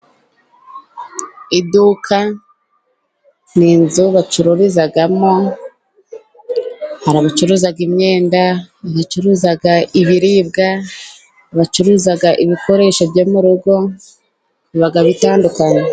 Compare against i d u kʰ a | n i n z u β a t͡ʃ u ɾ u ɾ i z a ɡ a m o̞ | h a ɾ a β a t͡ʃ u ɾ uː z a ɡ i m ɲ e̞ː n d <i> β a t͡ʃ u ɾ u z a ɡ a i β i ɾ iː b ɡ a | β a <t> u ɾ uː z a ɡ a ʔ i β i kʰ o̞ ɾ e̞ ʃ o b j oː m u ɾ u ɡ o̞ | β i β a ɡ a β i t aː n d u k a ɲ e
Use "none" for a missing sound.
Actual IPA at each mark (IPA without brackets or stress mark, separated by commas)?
a, t͡ʃ